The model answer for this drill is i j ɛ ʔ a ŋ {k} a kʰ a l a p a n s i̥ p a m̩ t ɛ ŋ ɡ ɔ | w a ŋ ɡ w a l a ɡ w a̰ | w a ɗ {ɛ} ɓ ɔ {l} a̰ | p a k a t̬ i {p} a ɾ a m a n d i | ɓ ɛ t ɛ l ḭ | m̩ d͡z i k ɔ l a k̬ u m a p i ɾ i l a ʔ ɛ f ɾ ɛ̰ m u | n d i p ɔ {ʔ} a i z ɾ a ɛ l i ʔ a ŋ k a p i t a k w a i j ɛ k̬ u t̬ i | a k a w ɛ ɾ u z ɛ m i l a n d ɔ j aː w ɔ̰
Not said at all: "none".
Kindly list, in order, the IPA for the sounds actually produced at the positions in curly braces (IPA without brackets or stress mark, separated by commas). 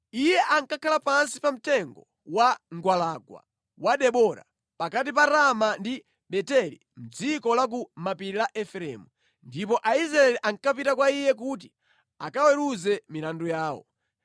k, ɛ, ɾ, p, ʔ